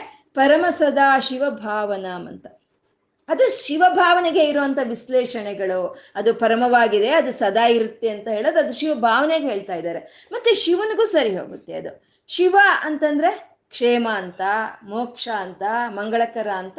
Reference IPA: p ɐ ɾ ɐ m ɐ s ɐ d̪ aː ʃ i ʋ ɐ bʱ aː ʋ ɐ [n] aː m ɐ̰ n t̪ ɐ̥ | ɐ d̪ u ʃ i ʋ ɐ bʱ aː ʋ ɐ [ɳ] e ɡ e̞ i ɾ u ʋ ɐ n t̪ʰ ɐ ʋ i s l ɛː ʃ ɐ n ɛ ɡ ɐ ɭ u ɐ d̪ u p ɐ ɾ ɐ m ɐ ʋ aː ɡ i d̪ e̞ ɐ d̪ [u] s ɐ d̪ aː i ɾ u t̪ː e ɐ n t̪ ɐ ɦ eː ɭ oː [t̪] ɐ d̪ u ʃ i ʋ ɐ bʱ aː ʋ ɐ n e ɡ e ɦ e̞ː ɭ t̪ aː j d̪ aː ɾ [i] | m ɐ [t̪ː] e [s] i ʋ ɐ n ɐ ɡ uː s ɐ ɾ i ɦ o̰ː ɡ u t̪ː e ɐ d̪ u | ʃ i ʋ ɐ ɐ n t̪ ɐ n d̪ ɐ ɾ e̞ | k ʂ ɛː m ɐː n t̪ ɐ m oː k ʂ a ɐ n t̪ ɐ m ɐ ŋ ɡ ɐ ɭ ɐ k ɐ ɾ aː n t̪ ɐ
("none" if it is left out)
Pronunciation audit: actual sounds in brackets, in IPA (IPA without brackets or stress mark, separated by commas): n, n, u, d̪, e, t̪ː, ʃ